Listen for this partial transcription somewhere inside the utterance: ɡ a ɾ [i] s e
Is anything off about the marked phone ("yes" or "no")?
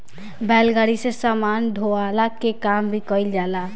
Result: no